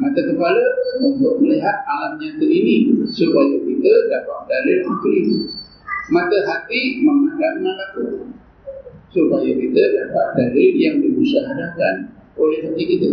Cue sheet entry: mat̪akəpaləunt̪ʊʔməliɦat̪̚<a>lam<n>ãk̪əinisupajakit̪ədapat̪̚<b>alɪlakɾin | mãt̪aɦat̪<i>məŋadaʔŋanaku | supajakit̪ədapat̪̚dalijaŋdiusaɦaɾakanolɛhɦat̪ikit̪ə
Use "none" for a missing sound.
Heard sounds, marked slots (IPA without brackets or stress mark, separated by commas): a, ɲ, d, i